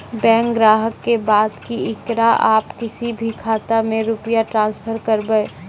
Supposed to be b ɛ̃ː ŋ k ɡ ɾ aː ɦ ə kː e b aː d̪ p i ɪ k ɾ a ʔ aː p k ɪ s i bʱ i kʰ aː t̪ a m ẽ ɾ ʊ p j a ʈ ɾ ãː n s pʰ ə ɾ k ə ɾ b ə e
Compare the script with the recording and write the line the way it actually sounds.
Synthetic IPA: b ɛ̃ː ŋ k ɡ ɾ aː ɦ ə kː e b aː d̪ k i ɪ k ɾ a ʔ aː p k ɪ s i bʱ i kʰ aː t̪ a m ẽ ɾ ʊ p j a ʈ ɾ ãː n s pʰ ə ɾ k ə ɾ b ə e